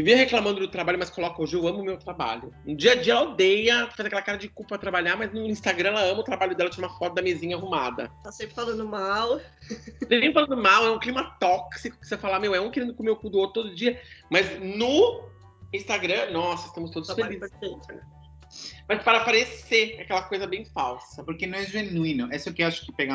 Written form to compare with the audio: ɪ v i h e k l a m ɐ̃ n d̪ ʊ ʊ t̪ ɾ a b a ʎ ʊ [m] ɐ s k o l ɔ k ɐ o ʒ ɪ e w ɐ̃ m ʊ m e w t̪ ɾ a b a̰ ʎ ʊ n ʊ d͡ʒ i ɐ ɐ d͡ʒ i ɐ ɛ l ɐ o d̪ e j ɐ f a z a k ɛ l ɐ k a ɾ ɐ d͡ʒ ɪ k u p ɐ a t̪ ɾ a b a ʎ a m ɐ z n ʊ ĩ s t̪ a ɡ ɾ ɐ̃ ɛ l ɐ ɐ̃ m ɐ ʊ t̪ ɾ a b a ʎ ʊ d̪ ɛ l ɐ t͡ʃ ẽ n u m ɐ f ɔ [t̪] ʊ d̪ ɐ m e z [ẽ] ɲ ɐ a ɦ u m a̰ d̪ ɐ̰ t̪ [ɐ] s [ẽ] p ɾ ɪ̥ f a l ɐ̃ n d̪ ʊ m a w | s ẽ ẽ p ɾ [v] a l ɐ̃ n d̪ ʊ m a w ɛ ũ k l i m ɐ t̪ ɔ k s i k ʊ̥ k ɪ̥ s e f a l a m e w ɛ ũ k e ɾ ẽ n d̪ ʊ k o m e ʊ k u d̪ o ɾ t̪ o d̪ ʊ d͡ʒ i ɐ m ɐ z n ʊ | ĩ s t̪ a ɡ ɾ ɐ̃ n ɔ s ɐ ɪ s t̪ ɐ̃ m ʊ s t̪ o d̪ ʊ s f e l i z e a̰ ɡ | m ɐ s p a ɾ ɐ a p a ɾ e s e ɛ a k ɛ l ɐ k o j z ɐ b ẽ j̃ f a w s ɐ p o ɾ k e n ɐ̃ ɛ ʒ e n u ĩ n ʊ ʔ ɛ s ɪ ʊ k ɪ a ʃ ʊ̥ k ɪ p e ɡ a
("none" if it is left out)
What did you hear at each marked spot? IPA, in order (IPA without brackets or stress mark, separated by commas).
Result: m, t̪, ĩ, a, ẽ, f